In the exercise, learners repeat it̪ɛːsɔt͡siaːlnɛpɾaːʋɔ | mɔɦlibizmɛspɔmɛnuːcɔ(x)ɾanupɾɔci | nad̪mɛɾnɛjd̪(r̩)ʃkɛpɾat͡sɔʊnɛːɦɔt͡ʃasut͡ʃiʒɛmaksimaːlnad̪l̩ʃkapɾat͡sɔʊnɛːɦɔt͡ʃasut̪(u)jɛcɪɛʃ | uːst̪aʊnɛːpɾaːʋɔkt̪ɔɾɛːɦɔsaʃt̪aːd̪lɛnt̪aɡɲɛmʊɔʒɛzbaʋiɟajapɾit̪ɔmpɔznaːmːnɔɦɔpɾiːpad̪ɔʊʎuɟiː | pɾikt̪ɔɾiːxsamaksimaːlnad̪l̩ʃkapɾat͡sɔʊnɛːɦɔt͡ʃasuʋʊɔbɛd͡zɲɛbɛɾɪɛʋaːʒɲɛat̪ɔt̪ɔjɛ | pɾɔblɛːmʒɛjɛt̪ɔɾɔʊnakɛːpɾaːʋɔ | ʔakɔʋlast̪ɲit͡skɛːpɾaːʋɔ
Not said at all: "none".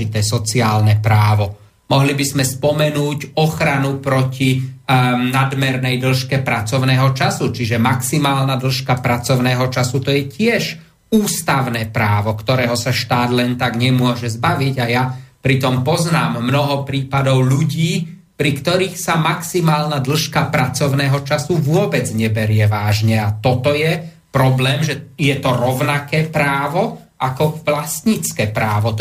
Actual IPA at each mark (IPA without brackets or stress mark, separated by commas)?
x, l̩, ɔ